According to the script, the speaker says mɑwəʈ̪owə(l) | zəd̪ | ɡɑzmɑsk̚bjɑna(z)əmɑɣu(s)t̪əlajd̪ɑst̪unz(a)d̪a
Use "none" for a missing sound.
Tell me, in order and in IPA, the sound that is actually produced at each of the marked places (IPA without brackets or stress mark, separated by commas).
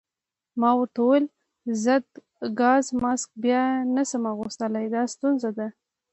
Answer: l, s, s, a